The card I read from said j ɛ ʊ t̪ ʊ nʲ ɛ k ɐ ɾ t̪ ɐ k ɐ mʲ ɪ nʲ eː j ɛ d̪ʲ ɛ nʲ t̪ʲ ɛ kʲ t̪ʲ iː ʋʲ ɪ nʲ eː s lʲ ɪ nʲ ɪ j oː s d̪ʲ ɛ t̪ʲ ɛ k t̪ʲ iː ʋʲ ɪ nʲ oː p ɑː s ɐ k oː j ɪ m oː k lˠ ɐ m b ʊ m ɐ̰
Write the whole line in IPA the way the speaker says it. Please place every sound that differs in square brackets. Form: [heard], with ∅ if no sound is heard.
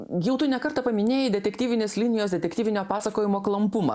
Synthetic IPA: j ɛ ʊ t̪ ʊ nʲ ɛ k ɐ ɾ t̪ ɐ [p] ɐ mʲ ɪ nʲ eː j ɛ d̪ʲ ɛ [∅] t̪ʲ ɛ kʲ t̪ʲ iː ʋʲ ɪ nʲ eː s lʲ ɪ nʲ ɪ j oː s d̪ʲ ɛ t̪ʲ ɛ k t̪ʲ iː ʋʲ ɪ nʲ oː p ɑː s ɐ k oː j ɪ m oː k lˠ ɐ m [p] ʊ m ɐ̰